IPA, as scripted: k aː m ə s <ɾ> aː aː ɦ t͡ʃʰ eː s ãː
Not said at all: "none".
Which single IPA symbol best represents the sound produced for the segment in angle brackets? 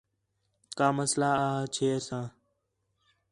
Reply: l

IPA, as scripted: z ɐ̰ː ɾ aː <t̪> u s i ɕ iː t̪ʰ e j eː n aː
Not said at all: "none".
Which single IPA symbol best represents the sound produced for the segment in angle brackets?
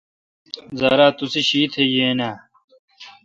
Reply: t̪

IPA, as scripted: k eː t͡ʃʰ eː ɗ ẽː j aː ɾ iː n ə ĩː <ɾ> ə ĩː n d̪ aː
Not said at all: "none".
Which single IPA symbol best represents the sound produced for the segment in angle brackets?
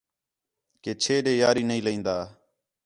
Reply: l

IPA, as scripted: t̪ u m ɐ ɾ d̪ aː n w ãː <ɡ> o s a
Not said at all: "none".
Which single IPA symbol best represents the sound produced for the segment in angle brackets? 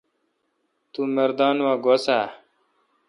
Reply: ɡ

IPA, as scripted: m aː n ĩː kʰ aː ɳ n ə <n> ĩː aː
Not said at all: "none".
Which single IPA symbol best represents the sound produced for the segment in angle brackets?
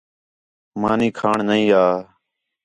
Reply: none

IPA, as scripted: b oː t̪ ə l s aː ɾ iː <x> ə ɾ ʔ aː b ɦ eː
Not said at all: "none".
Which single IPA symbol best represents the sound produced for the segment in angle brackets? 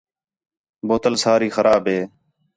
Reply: x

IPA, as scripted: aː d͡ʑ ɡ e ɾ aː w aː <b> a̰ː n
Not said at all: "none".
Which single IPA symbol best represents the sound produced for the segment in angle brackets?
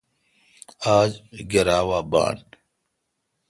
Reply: b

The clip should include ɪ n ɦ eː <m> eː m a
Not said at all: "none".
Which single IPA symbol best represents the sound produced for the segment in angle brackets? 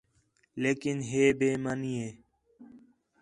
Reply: b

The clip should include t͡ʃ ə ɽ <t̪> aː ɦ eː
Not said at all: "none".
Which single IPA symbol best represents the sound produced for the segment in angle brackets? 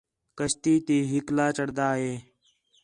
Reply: d̪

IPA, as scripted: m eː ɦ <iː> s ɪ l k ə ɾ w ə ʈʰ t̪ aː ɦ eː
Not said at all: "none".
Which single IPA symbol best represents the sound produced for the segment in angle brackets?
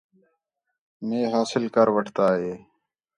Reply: aː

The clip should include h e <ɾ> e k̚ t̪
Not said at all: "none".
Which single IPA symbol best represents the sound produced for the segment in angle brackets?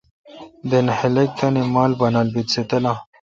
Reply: l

